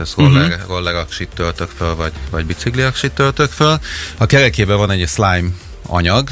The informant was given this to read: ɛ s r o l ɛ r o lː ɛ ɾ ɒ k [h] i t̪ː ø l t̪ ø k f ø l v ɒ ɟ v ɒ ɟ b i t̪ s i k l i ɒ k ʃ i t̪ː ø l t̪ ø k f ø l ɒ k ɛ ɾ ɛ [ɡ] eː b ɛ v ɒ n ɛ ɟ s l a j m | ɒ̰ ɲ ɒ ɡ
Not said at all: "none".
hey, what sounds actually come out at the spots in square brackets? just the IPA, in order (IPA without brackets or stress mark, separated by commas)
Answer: ʃ, k